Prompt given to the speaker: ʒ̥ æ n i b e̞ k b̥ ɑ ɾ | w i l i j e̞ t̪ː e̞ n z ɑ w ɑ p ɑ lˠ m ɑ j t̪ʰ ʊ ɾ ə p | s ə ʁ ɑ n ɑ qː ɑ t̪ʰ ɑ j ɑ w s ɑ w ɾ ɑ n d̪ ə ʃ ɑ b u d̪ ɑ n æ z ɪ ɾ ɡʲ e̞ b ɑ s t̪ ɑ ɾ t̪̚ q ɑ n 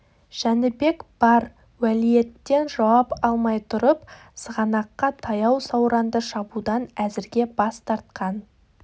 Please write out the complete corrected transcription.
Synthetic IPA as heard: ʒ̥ æ n ɪ b e̞ k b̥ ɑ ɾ | w æ l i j e̞ t̪ː e̞ n ʒ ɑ w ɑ p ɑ lˠ m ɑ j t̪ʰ ʊ ɾ ə p | s ə ʁ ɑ n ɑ qː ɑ t̪ʰ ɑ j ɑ w s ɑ w ɾ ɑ n d̪ ə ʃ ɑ b u d̪ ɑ n æ z ɪ ɾ ɡʲ e̞ b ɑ s t̪ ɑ ɾ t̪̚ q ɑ n